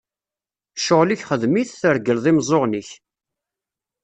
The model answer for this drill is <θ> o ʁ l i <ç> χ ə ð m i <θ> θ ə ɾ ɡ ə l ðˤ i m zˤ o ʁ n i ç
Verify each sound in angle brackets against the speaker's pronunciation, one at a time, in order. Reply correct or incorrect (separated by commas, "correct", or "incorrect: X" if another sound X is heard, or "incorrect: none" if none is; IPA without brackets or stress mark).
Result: incorrect: ʃ, correct, correct